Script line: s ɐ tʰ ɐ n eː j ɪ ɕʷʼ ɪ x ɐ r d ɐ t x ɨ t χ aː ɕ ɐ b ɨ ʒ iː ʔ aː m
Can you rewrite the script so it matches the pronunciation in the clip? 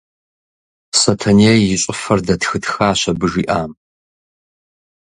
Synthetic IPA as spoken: s ɐ tʰ ɐ n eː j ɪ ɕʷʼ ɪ f ɐ r d ɐ t x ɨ t x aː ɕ ɐ b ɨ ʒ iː ʔ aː m